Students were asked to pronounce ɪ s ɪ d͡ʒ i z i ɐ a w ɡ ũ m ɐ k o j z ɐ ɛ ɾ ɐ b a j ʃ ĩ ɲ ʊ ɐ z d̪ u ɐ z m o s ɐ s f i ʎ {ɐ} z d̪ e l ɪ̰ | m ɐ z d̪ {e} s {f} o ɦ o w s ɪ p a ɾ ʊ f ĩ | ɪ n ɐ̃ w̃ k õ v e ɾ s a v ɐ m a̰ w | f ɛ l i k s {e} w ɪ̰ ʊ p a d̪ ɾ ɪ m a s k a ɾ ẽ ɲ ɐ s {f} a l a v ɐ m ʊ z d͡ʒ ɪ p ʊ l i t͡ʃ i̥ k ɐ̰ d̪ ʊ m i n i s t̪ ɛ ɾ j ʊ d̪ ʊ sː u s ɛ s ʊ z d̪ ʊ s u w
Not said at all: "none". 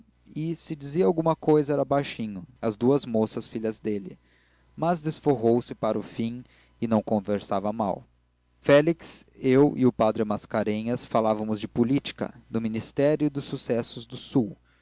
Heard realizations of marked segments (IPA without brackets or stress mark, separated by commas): ɐ, e, f, e, f